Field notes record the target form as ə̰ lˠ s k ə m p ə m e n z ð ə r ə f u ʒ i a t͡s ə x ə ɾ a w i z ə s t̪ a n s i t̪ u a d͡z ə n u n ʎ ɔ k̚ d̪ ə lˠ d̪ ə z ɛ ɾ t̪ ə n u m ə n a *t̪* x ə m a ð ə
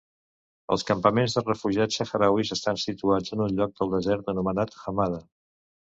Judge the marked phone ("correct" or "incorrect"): correct